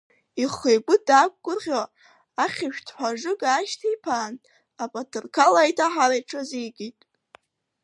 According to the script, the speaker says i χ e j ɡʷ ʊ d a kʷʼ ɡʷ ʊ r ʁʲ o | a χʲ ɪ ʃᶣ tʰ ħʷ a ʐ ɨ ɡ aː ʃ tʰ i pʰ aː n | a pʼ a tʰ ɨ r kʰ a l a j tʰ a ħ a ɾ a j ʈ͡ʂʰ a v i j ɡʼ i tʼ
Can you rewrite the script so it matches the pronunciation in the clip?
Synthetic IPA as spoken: i χ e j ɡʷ ʊ d a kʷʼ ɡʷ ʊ r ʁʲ o | a χʲ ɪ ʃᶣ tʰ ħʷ a ʐ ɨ ɡ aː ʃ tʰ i pʰ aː n | a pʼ a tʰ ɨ r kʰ a l a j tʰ a ħ a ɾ a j ʈ͡ʂʰ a z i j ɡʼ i tʼ